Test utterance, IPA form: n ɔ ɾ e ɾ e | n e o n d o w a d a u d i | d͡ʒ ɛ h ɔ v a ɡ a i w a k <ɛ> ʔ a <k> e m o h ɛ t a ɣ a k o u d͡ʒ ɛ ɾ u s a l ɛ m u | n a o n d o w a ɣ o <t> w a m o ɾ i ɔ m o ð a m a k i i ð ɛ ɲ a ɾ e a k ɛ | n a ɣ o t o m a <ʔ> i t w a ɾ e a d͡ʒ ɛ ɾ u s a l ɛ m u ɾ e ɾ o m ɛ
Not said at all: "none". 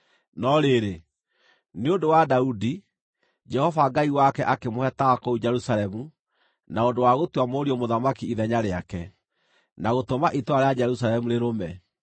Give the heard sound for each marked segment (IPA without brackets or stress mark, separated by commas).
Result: ɛ, k, t, ʔ